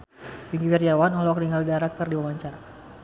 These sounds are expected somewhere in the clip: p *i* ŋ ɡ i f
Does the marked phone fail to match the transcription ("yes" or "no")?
no